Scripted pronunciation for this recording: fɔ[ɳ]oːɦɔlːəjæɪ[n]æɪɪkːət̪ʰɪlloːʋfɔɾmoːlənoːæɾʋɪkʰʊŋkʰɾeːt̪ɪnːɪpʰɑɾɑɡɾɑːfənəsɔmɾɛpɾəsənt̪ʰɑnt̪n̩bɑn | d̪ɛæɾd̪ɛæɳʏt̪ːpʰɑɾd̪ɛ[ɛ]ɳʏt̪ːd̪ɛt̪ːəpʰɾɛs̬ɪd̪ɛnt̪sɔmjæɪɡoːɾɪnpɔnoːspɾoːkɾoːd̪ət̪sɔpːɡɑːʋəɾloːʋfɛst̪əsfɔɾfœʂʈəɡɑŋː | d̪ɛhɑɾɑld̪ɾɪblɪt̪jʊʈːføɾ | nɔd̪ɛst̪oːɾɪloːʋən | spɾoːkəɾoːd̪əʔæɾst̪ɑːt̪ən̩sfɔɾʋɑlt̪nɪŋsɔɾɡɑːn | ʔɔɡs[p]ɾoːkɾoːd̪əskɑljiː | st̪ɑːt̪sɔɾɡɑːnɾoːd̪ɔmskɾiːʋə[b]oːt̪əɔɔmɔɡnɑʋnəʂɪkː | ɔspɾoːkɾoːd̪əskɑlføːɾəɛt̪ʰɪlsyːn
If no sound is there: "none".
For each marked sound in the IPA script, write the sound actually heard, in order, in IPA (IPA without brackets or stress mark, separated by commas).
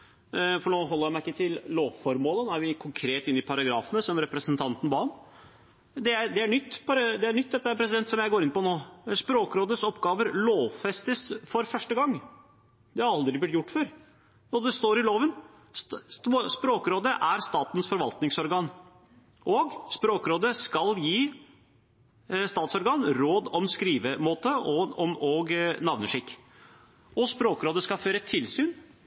ɳ, m, æ, p, m